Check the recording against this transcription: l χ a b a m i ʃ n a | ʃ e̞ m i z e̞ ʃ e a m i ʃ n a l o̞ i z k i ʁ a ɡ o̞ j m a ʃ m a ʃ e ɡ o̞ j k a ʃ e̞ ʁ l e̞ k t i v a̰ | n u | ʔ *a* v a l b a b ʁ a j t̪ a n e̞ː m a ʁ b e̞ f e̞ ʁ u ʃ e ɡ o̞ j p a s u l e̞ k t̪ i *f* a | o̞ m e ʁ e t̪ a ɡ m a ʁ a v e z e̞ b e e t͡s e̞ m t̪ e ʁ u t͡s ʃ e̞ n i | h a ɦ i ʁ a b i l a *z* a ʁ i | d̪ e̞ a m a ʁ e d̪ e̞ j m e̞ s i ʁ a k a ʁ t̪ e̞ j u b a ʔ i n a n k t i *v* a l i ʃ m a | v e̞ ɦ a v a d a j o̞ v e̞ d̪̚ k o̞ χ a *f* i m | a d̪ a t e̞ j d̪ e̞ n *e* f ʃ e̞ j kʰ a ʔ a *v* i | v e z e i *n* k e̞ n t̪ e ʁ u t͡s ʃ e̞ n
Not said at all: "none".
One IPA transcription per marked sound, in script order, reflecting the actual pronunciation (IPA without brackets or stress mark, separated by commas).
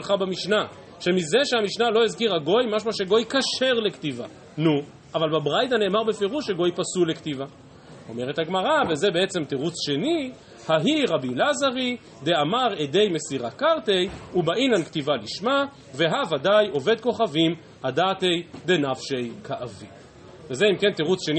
a, v, z, v, v, a, v, m